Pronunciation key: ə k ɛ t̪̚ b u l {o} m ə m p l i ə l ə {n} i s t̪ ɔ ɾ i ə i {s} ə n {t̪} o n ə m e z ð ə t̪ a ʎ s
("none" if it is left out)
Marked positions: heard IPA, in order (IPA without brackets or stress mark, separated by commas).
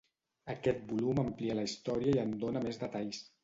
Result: u, none, none, d̪